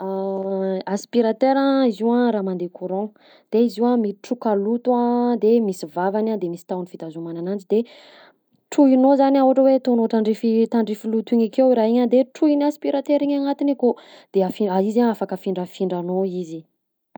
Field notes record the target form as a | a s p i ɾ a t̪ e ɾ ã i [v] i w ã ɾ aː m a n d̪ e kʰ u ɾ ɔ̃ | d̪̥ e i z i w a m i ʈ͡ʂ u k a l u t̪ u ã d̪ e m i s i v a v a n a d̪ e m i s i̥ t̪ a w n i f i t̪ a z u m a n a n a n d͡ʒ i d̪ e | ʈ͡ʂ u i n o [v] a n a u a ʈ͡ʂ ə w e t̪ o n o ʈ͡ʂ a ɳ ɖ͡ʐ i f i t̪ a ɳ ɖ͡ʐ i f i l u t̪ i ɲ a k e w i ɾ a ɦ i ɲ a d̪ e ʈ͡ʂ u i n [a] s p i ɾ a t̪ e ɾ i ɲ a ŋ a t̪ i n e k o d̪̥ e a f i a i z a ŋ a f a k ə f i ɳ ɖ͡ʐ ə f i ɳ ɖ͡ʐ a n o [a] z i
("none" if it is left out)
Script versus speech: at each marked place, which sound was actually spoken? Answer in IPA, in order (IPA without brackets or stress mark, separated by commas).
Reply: z, z, a, i